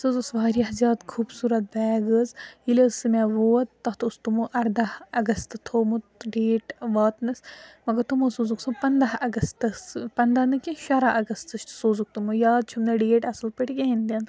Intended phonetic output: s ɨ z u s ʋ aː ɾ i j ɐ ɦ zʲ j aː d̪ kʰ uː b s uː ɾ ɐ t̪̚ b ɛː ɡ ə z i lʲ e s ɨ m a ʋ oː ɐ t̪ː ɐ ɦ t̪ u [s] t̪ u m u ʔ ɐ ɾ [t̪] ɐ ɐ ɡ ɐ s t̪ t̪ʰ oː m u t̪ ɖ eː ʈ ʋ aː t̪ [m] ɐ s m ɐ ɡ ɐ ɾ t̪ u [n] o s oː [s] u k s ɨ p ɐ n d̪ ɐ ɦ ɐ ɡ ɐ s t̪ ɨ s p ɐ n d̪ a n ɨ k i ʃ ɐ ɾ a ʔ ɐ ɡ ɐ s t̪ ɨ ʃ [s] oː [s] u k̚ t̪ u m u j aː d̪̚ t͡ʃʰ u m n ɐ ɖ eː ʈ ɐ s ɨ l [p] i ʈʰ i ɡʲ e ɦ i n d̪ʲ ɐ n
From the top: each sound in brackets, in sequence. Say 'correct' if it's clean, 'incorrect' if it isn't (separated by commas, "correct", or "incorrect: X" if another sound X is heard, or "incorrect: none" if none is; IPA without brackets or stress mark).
correct, incorrect: d̪, incorrect: n, incorrect: m, incorrect: z, correct, incorrect: z, correct